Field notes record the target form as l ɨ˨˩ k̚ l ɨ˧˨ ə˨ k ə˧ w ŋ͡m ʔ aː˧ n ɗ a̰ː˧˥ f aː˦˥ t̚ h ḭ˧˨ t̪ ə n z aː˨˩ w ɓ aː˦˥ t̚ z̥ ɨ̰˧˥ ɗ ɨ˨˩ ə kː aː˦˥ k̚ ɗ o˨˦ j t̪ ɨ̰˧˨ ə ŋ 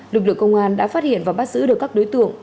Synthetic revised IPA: l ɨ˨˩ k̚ l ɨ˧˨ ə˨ k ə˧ w ŋ͡m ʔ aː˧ n ɗ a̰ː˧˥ f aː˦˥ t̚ h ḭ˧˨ ə n v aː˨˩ w ɓ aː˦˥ t̚ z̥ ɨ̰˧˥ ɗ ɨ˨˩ ə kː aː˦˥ k̚ ɗ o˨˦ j t̪ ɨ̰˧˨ ə ŋ